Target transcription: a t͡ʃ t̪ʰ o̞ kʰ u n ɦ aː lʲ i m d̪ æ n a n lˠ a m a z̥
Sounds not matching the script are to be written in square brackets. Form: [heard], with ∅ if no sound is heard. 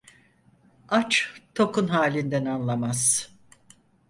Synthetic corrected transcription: a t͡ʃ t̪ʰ o̞ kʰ u n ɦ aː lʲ i [n] d̪ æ n a n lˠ a m a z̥